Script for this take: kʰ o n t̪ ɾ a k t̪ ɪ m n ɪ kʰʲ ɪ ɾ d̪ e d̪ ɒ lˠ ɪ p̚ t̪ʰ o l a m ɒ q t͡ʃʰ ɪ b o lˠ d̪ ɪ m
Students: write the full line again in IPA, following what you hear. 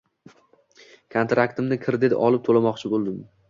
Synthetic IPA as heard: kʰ o n t̪ ɾ a k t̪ ɪ m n ɪ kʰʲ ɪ ɾ d̪ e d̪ ɒ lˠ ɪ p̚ t̪ʰ o l a m ɒ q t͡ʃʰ ɪ b o lˠ d̪ ɪ m